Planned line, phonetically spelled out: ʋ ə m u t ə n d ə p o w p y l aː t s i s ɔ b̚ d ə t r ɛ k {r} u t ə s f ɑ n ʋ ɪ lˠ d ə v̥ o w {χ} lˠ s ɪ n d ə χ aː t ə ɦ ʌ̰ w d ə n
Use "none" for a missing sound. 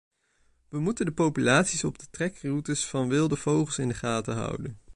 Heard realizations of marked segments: r, χ

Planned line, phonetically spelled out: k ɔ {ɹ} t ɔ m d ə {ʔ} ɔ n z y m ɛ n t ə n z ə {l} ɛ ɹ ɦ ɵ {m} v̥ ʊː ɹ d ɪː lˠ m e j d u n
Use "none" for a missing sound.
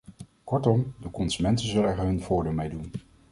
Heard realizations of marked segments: ɹ, k, l, n

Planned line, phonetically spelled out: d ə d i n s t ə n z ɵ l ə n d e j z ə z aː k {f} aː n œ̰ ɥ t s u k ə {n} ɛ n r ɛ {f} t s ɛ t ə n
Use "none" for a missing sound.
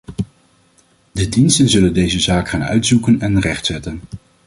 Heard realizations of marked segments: χ, n, χ

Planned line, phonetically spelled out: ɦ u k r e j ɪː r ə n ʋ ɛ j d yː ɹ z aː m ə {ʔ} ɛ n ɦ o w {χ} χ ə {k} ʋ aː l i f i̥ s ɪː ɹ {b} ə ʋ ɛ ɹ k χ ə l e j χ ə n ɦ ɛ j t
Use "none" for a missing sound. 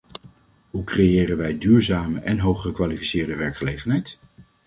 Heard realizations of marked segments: ʔ, χ, k, d

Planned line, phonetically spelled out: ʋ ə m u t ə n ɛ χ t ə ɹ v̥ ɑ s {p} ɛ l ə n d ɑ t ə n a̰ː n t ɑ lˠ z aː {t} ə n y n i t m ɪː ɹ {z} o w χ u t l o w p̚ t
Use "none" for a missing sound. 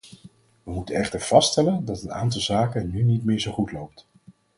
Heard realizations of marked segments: t, k, z

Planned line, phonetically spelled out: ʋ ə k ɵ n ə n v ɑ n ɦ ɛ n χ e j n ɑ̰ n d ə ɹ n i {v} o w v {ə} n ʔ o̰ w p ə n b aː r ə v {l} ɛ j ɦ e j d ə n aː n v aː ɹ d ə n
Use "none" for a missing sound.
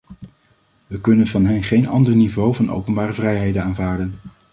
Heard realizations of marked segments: v, ɑ, r

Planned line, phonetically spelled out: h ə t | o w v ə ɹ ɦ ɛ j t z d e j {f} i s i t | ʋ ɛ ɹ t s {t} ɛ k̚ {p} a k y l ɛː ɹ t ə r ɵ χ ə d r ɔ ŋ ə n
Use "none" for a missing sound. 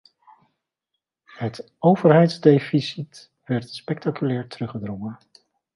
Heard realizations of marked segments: f, p, t

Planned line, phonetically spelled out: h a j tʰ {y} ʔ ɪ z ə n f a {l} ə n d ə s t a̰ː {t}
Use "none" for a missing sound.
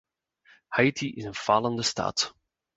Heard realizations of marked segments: i, l, t

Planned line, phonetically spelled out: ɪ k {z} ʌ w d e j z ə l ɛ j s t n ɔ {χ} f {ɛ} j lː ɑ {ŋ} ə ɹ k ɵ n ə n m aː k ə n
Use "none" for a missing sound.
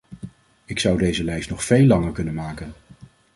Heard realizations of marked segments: s, χ, e, ŋ

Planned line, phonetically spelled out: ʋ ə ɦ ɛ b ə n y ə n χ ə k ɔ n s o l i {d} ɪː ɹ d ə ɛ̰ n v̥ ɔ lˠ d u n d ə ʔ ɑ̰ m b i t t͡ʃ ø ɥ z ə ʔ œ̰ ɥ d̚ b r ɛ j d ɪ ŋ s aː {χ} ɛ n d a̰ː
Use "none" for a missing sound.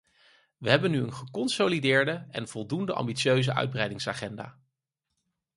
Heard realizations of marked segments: d, χ

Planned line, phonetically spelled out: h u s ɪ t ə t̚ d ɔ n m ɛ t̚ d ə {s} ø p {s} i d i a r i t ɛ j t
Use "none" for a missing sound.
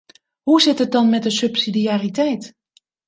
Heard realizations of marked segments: s, s

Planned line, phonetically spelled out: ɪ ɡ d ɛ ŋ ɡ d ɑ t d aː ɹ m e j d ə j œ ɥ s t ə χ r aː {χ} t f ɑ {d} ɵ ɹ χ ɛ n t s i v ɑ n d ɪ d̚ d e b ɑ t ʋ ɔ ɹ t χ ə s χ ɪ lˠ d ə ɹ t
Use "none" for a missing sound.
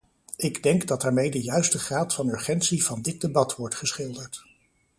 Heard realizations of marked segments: none, n

